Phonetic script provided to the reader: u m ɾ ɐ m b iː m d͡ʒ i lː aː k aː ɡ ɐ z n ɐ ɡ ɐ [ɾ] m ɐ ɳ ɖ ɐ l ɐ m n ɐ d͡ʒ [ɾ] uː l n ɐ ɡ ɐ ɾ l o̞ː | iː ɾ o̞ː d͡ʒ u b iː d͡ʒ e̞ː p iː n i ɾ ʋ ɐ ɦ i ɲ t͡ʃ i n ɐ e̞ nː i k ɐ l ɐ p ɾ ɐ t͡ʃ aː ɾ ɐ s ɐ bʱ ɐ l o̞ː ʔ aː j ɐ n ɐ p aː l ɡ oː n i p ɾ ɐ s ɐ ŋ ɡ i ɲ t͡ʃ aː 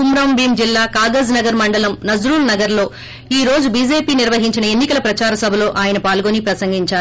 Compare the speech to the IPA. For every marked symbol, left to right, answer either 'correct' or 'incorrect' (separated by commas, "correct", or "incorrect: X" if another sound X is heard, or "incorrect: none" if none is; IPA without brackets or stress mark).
correct, correct